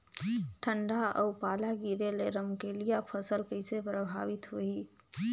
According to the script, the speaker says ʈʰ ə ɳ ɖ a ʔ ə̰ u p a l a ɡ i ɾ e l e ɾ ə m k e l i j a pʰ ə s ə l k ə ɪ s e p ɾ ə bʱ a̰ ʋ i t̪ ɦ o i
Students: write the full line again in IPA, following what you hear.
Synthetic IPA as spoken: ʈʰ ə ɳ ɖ a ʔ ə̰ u p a l a ɡ i ɾ e l e ɾ ə m k e l i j a pʰ ə s ə l k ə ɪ s e p ɾ ə bʱ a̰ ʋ i t̪ ɦ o i